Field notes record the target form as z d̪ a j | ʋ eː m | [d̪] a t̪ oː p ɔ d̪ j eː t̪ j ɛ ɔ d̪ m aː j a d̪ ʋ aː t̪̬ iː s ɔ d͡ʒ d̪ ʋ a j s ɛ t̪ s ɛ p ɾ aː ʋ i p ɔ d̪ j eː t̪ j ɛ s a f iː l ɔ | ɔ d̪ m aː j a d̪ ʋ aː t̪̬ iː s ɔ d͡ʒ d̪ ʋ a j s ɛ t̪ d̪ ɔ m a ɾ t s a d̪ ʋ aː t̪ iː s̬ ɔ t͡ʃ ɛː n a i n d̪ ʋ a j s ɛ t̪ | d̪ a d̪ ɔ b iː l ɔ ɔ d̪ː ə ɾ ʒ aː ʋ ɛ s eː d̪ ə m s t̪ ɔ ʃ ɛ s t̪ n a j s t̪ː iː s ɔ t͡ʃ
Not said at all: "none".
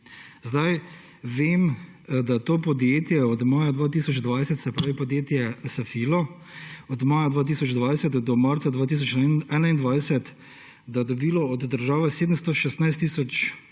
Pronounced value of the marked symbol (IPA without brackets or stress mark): d̪